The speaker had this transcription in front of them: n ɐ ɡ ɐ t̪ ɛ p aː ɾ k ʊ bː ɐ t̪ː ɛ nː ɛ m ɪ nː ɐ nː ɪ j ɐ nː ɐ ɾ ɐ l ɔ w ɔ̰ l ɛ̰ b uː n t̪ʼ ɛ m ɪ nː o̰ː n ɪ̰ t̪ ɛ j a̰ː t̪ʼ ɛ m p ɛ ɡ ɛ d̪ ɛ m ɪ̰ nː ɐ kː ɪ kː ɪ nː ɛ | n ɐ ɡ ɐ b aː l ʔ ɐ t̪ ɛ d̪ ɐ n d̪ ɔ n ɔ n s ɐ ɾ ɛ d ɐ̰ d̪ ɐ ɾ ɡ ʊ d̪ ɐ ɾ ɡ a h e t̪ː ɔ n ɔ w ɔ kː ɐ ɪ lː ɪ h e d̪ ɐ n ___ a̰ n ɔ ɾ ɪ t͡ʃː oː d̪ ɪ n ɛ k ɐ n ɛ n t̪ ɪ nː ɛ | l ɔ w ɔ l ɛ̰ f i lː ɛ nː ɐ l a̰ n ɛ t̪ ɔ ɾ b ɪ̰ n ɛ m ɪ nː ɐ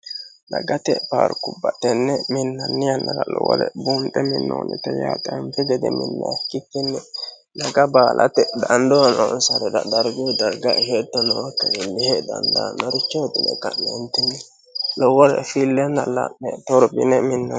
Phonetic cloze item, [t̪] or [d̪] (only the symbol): d̪